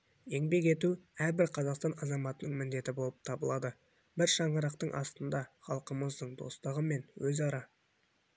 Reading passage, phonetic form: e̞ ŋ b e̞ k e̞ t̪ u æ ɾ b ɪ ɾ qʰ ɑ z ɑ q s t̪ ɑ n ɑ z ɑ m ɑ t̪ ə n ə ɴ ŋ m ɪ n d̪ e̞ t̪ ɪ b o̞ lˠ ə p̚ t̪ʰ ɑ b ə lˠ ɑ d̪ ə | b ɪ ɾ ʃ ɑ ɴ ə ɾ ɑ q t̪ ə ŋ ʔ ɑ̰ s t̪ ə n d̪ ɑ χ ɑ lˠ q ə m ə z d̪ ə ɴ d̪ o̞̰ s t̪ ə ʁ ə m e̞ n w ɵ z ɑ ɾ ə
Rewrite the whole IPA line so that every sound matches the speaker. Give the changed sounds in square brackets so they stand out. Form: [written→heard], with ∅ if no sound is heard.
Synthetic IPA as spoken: e̞ ŋ b e̞ k e̞ t̪ u æ ɾ b ɪ ɾ qʰ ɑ z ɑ q s t̪ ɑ n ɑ z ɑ m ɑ t̪ ə n ə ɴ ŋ m ɪ n d̪ e̞ t̪ ɪ b o̞ lˠ ə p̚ t̪ʰ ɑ b ə lˠ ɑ d̪ ə | b ɪ ɾ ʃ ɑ ɴ ə ɾ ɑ q t̪ ə [ŋ→ɴ] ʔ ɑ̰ s t̪ ə n d̪ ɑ χ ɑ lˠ q ə m ə z d̪ ə ɴ d̪ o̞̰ s t̪ ə ʁ ə m e̞ n w ɵ z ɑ ɾ [ə→ɑ]